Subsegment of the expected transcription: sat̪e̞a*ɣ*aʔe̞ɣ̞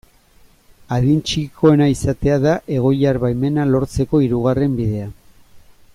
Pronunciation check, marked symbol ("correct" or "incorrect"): incorrect